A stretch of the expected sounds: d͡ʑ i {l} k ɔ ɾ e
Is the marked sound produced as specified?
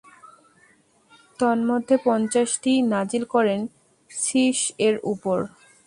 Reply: yes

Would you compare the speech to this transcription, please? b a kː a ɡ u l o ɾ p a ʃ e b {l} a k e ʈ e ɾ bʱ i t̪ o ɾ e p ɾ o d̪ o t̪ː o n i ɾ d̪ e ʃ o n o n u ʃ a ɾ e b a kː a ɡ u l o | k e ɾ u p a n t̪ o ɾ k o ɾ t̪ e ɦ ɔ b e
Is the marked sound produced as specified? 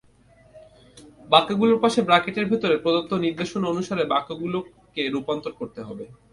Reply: no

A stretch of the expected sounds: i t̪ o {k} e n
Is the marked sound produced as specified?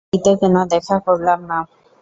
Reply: yes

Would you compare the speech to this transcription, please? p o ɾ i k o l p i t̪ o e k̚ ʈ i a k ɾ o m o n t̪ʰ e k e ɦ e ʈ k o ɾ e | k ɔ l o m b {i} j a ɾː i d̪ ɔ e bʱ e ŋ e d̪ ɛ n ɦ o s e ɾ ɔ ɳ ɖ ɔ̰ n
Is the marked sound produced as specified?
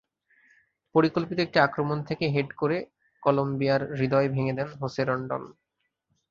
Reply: yes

